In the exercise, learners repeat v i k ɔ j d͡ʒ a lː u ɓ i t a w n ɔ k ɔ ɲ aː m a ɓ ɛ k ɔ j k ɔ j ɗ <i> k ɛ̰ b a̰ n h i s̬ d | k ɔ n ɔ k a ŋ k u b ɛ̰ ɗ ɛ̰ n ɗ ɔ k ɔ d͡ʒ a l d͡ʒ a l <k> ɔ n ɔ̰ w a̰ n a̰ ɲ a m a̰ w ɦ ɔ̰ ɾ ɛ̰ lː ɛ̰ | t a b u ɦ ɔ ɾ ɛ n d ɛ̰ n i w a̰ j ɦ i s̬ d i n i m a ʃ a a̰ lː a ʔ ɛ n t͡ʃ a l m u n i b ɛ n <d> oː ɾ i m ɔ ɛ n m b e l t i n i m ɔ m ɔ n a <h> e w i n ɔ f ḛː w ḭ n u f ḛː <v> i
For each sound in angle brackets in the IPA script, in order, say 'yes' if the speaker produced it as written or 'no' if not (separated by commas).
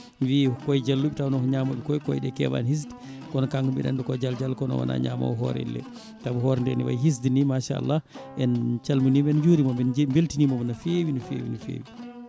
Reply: no, yes, no, no, no